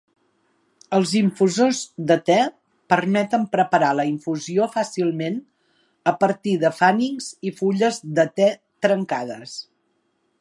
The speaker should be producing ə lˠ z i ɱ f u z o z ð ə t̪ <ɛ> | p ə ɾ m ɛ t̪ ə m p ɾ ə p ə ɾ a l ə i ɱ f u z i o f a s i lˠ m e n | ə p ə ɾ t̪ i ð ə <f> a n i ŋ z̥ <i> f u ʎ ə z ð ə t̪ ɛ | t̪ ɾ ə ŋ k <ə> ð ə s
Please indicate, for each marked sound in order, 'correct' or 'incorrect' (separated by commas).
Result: correct, correct, correct, incorrect